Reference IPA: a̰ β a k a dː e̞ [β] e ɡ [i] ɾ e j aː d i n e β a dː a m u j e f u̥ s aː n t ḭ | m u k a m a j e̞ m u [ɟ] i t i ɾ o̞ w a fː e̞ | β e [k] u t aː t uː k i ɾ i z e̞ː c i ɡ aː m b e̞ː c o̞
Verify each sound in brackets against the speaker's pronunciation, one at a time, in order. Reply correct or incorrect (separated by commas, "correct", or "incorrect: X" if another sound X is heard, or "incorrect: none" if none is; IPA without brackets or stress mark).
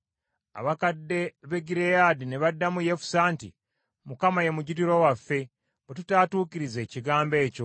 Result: correct, correct, correct, incorrect: t